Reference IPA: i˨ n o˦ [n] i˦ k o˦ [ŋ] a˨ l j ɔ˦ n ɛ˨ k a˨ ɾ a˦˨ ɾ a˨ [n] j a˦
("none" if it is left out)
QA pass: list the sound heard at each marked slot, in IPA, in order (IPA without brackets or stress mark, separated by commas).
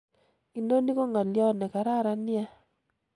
n, ŋ, n